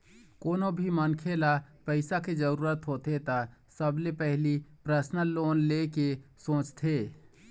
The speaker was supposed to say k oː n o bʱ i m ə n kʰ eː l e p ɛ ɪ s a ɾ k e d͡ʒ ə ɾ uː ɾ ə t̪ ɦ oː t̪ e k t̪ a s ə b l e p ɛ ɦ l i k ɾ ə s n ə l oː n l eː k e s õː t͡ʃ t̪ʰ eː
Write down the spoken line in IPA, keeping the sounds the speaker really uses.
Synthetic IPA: k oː n o bʱ i m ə n kʰ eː l a p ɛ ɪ s a k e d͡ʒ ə ɾ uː ɾ ə t̪ ɦ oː t̪ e t̪ a s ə b l e p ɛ ɦ l i p ɾ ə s n ə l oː n l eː k e s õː t͡ʃ t̪ʰ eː